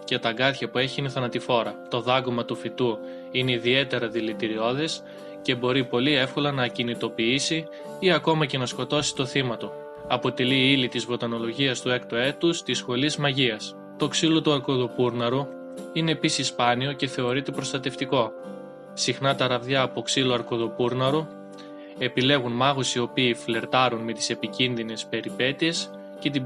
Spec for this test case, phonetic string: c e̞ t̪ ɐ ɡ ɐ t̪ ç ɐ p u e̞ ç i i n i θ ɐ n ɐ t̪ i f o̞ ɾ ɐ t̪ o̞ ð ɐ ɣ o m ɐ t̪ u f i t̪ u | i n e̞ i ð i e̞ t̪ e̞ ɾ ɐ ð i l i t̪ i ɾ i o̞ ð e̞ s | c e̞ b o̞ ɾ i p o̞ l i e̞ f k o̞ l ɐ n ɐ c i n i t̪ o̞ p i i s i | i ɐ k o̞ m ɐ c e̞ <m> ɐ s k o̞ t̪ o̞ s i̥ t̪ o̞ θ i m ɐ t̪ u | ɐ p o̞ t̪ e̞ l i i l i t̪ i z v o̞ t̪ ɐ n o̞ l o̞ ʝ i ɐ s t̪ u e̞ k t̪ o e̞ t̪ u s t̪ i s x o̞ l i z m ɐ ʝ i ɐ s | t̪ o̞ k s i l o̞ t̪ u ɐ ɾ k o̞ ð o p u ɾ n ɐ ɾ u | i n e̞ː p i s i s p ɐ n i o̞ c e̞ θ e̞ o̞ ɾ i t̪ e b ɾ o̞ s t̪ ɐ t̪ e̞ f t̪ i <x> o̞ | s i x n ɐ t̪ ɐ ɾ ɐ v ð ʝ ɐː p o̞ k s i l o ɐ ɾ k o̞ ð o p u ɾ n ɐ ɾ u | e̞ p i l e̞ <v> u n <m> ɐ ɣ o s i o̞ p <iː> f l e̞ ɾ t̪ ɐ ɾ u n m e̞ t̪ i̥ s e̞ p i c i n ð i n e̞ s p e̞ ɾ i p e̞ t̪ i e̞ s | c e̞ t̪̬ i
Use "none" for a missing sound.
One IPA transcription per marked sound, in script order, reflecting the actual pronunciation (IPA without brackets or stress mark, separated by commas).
n, k, ɣ, m, iː